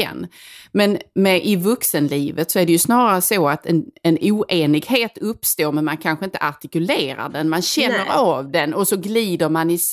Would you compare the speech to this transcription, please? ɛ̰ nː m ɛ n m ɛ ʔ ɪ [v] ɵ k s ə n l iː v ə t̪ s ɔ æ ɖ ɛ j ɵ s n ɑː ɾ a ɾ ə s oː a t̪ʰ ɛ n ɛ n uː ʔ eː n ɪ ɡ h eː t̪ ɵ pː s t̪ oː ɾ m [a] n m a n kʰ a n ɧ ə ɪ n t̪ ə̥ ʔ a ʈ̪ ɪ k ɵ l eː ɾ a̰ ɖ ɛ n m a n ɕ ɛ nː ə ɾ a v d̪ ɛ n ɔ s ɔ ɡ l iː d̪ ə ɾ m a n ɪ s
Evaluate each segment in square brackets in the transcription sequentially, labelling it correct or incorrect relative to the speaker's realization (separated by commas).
correct, incorrect